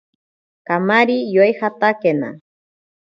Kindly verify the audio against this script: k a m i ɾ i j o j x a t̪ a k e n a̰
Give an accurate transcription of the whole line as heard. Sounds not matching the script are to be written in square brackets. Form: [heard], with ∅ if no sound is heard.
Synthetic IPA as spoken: k a m [a] ɾ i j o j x a t̪ a k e n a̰